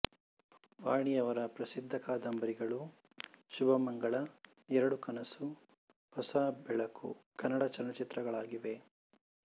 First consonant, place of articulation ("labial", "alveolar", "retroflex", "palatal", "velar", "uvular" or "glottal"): labial